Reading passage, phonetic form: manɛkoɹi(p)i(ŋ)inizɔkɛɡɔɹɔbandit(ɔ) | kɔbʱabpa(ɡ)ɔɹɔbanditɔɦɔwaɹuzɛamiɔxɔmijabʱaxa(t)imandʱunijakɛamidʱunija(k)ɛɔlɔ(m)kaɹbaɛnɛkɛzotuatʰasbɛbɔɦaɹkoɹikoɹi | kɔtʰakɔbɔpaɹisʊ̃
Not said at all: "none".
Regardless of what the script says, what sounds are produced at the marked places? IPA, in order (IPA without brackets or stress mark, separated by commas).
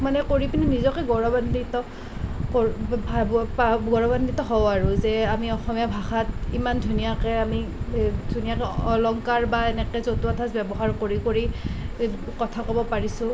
p, n, ɔ, ɡ, t, k, ŋ